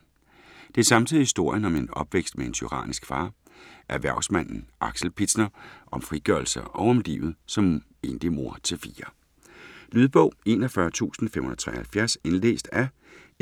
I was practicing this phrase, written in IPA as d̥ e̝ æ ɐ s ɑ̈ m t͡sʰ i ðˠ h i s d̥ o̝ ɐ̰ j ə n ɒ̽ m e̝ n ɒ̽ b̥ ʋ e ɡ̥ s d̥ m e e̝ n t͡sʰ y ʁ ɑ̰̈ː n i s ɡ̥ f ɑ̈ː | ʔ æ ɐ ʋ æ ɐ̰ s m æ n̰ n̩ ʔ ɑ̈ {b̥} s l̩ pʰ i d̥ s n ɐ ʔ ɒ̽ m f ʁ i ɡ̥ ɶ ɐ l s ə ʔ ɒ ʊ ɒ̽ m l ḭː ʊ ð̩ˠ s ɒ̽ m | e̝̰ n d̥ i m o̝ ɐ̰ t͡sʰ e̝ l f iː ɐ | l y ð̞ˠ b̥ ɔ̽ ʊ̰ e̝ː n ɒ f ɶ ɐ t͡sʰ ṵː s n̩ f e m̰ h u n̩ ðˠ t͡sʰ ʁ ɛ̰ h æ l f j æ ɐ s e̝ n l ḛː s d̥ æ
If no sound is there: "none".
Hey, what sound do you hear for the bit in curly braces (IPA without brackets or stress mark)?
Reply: ɡ̥